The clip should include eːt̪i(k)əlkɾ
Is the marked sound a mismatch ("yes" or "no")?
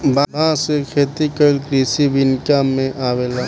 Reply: no